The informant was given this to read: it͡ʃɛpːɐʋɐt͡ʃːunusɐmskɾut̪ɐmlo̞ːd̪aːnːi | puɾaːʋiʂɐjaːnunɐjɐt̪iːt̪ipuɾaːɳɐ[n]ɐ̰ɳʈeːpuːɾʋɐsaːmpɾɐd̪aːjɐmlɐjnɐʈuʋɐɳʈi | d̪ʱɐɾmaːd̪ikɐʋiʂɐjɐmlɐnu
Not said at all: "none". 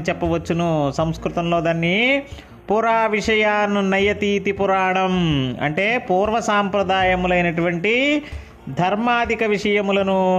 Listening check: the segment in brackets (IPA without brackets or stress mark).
m